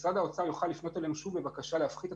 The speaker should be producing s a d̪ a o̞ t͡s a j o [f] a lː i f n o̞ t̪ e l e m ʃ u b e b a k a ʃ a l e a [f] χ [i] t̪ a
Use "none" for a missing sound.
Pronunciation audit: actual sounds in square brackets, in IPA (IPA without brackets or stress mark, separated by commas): χ, f, i